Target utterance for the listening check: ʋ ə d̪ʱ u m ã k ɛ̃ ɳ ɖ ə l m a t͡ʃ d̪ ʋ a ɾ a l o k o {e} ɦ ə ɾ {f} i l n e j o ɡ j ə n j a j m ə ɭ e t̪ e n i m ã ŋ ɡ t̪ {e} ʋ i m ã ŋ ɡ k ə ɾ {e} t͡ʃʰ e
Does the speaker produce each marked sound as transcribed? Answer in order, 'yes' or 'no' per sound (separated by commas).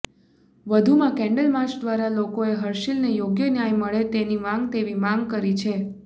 yes, no, yes, no